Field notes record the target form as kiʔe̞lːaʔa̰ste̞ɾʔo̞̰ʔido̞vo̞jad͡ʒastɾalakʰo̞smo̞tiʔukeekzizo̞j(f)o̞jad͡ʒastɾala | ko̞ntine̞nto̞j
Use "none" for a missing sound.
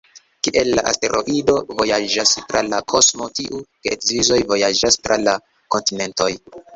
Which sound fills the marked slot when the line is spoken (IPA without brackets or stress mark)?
v